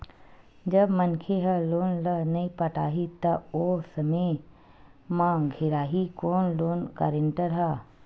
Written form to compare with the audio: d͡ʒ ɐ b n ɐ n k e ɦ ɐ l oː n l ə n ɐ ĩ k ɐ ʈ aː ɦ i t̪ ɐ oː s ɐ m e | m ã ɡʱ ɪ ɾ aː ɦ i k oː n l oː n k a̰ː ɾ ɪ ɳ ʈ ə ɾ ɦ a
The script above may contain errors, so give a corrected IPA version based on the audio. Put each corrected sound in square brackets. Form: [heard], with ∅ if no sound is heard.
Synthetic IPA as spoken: d͡ʒ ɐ b [m] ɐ n [kʰ] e ɦ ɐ l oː n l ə n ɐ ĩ [p] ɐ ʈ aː ɦ i t̪ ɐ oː s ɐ m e | m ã ɡʱ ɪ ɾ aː ɦ i k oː n l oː n k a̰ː ɾ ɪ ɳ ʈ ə ɾ ɦ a